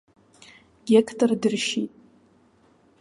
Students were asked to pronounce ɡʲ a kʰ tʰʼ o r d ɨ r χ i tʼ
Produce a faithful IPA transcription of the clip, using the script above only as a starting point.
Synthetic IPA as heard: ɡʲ e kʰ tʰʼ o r d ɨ r ʃ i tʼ